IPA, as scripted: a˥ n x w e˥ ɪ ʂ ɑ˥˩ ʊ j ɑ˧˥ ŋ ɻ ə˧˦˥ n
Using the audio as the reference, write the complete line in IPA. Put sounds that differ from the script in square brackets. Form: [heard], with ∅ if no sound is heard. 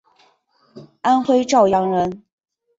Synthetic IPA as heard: a˥ n x w e˥ ɪ [ʈ͡ʂ] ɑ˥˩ ʊ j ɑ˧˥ ŋ ɻ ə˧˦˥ n